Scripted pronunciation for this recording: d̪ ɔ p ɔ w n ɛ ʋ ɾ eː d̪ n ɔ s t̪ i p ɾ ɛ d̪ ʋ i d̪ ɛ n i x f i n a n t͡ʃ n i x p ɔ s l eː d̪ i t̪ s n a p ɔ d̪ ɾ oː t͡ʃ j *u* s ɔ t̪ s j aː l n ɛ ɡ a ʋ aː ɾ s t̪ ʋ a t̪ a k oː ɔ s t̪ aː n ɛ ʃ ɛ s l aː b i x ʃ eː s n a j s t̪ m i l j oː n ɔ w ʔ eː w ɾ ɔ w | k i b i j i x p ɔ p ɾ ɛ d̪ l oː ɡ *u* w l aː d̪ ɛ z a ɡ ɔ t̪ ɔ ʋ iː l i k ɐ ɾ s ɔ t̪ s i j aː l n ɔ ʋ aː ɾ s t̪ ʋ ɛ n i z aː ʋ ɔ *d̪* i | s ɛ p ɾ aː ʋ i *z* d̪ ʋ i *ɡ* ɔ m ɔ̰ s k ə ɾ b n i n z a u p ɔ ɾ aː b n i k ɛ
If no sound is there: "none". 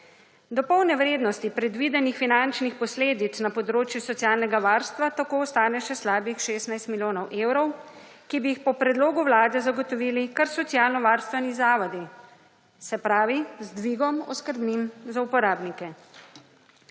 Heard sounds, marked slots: u, u, d̪, z, ɡ

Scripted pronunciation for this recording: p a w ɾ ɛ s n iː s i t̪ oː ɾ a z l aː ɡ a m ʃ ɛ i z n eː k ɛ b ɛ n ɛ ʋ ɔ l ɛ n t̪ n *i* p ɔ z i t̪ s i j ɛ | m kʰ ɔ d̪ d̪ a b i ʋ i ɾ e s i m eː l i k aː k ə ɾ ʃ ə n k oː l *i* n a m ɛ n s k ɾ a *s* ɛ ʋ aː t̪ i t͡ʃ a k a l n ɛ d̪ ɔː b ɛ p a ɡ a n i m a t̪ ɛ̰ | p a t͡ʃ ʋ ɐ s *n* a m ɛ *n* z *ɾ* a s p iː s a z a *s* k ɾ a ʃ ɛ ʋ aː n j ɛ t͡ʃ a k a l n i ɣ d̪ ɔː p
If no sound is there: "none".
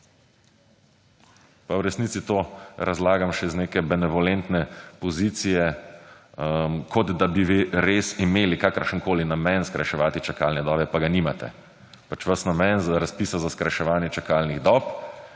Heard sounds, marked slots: ɛ, i, ʃ, n, n, ɾ, s

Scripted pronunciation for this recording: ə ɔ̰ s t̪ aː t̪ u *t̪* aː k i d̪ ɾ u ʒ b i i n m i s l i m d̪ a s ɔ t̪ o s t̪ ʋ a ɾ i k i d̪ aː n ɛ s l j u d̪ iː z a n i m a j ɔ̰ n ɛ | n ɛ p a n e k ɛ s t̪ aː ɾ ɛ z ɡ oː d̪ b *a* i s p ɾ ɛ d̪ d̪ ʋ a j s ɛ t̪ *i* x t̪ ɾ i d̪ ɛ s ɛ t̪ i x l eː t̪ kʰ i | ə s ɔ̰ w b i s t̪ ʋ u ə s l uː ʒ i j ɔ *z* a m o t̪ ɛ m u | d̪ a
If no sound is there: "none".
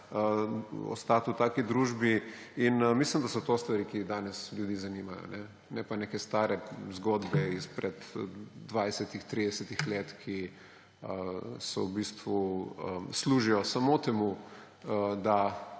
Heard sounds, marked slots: t̪, ɛ, i, s

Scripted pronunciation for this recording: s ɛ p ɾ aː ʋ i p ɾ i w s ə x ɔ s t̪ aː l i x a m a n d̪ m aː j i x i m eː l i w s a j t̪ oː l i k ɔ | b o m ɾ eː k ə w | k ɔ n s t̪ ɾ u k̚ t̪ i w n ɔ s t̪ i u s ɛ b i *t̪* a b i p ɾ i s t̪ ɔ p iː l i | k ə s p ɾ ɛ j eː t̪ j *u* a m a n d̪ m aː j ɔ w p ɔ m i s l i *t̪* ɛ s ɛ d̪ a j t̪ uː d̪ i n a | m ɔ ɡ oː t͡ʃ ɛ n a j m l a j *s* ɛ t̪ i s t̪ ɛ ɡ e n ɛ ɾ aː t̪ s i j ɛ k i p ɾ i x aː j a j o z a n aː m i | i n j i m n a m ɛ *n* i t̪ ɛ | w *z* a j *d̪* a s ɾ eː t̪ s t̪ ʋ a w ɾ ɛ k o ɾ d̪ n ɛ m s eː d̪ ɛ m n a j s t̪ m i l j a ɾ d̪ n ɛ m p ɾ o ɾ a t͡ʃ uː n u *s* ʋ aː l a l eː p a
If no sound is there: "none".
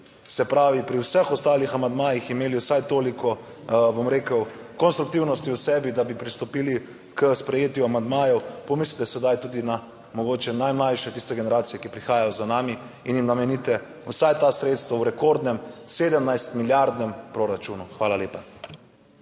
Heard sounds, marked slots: d̪, u, t̪, ʃ, n, s, t̪, x

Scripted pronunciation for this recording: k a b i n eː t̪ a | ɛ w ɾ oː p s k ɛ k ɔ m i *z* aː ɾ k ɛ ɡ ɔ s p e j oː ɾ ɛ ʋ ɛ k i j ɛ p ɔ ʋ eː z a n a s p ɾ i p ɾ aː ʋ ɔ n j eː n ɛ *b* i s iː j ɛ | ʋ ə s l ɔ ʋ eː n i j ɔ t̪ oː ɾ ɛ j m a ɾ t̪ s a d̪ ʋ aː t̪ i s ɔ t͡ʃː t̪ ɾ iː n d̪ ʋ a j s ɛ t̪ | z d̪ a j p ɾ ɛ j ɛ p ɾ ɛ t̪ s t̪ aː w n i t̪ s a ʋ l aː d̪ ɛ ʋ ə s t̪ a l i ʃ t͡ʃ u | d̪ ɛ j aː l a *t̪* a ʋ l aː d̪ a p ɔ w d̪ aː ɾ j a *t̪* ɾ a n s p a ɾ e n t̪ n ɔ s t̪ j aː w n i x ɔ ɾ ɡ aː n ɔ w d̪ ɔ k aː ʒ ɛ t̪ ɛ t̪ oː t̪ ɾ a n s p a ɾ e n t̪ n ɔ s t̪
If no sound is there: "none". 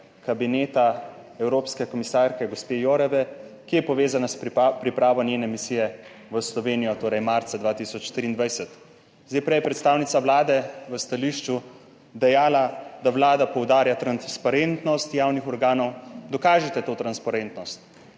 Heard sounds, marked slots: s, m, d̪, t̪

